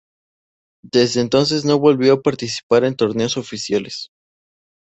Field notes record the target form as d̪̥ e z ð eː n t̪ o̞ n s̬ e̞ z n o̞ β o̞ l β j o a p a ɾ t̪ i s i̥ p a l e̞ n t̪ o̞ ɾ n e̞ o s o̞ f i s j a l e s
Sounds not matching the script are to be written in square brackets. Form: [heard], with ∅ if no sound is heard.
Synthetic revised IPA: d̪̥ e z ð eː n t̪ o̞ n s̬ e̞ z n o̞ β o̞ l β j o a p a ɾ t̪ i s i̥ p a [ɾ] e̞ n t̪ o̞ ɾ n e̞ o s o̞ f i s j a l e s